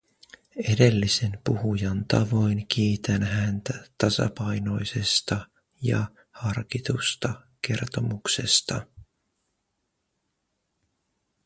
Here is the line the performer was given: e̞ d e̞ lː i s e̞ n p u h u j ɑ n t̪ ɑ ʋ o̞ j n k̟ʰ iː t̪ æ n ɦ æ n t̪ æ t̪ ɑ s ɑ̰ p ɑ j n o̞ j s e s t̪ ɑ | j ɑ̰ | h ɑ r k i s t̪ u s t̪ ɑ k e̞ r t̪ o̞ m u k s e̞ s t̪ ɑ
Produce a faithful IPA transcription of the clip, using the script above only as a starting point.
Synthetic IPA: e̞ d e̞ lː i s e̞ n p u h u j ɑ n t̪ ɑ ʋ o̞ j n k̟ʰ iː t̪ æ n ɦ æ n t̪ æ t̪ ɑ s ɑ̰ p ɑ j n o̞ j s e s t̪ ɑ | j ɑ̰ | h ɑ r k i t̪ u s t̪ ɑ k e̞ r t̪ o̞ m u k s e̞ s t̪ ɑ